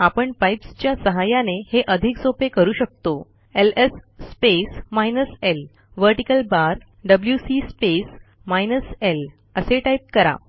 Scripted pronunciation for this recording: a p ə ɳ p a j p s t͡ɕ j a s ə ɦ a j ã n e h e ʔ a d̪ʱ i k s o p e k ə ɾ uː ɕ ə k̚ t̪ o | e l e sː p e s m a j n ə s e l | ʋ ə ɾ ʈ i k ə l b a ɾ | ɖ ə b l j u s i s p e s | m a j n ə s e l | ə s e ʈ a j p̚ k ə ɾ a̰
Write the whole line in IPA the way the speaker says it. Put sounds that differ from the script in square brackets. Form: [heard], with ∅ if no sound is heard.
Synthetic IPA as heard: a p ə ɳ p a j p s t͡ɕ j a s ə ɦ a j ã n e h e ʔ [ə] d̪ʱ i k s o p e k ə ɾ uː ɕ ə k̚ t̪ o | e l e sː p e s m a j n ə s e l | ʋ ə ɾ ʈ i k ə l b a ɾ | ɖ ə b l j u s i s p e s | m a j n ə s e l | ə s e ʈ a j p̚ k ə ɾ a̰